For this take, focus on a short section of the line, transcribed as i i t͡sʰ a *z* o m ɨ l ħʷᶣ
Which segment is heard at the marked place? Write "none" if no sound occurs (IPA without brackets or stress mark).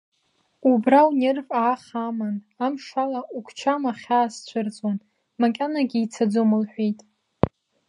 d͡z